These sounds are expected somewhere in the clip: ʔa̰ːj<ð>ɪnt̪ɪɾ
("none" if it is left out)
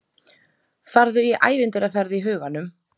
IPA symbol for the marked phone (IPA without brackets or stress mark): v